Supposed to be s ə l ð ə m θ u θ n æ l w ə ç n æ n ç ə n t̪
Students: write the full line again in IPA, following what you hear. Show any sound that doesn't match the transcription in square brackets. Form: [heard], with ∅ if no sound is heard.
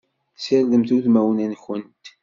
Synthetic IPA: s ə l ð ə m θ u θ [m] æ [∅] w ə [∅] n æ n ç ə n t̪